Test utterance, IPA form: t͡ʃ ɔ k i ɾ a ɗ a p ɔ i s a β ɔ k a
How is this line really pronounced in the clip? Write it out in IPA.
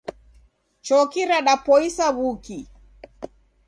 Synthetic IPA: t͡ʃ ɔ k i ɾ a ɗ a p ɔ i s a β u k i

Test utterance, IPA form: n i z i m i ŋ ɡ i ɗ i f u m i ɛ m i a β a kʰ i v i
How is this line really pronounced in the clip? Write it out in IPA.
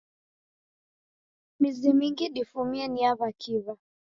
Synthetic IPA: m i z i m i ŋ ɡ i ɗ i f u m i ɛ n i a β a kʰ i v a

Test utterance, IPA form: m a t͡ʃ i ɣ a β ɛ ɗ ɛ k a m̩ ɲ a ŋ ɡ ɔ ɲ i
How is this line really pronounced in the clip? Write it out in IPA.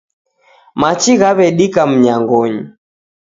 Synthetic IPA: m a t͡ʃ i ɣ a β ɛ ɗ i k a m̩ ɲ a ŋ ɡ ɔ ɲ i

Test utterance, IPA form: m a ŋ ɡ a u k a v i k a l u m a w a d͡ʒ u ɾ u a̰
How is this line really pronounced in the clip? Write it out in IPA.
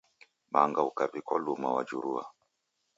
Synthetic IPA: m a ŋ ɡ a u k a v i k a l u m a w a d͡ʒ u ɾ u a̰

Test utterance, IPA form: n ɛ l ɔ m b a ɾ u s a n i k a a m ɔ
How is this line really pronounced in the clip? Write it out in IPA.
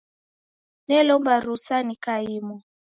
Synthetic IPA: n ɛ l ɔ m b a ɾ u s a n i k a i m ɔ

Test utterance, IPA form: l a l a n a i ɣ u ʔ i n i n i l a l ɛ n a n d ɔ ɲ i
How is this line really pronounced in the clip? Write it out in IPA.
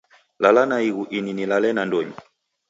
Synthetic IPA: l a l a n a i ɣ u ʔ i n i n i l a l ɛ n a n d ɔ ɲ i

